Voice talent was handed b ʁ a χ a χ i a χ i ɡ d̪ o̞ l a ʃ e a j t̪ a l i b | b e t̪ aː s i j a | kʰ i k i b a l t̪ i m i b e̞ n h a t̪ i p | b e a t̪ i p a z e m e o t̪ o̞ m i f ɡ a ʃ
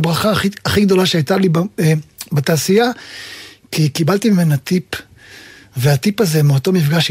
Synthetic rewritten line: b ʁ a χ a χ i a χ i ɡ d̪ o̞ l a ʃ e a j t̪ a l i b | b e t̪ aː s i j a | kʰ i k i b a l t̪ i m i m e̞ n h a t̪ i p | v e a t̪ i p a z e m e o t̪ o̞ m i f ɡ a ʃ